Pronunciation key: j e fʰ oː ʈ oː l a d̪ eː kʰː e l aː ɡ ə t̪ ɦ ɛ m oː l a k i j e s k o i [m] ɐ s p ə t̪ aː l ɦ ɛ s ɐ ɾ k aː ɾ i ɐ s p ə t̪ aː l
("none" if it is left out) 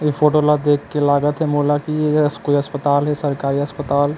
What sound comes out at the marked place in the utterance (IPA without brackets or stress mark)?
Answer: none